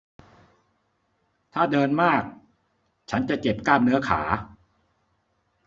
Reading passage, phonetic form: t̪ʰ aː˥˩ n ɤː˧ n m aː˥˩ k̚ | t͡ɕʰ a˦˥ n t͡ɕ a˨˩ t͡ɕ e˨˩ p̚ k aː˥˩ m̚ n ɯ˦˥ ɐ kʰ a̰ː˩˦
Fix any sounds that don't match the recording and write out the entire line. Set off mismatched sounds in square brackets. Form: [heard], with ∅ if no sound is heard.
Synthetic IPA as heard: t̪ʰ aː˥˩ [d] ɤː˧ n m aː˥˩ k̚ | t͡ɕʰ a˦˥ n t͡ɕ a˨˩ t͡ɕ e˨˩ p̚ k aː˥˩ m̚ n ɯ˦˥ ɐ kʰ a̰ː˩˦